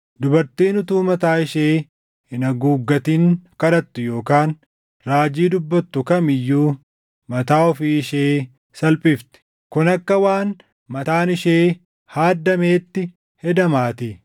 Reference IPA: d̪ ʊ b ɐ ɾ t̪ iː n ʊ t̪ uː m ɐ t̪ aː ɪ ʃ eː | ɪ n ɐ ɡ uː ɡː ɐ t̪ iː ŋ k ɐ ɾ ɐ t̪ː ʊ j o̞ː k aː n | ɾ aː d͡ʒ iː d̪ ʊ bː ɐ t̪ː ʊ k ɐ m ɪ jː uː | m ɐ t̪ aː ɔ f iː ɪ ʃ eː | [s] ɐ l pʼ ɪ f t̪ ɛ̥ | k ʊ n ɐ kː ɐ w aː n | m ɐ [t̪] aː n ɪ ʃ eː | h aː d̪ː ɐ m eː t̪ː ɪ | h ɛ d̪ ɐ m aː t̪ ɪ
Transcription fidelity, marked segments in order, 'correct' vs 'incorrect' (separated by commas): correct, correct